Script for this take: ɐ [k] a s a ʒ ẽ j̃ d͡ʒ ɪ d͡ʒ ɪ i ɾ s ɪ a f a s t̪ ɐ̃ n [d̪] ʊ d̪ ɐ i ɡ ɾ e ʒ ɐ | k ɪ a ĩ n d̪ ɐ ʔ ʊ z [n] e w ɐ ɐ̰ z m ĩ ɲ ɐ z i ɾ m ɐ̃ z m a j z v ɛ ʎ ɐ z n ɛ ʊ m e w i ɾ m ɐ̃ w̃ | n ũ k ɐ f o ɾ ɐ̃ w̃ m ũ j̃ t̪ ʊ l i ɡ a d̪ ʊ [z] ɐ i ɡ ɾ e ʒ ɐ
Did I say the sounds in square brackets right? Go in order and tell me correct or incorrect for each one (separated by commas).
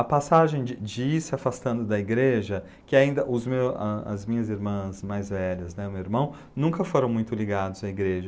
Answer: incorrect, correct, incorrect, correct